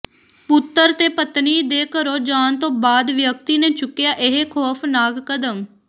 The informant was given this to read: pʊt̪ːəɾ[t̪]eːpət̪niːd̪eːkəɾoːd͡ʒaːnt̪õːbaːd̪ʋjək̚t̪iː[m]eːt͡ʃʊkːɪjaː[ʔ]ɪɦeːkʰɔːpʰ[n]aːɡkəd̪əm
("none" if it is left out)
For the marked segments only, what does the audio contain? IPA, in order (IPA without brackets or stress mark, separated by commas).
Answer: t̪, n, ʔ, n